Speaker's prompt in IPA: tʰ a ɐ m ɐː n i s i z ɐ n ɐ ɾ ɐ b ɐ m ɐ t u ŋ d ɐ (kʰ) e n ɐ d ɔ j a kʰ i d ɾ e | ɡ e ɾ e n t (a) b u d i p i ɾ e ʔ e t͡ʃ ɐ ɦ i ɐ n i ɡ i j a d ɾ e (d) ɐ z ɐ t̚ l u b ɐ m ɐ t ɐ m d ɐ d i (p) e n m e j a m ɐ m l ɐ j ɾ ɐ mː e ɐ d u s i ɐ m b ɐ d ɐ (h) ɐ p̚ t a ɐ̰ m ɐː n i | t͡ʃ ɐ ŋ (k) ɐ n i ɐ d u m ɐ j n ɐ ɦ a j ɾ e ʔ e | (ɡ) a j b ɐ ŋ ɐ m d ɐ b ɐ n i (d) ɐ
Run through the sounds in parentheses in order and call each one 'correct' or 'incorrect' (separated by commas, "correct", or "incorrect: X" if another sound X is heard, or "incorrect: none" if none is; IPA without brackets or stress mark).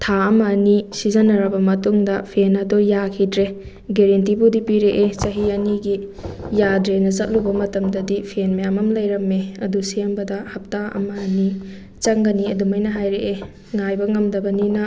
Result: incorrect: pʰ, incorrect: i, incorrect: n, incorrect: pʰ, correct, incorrect: ɡ, incorrect: ŋ, incorrect: n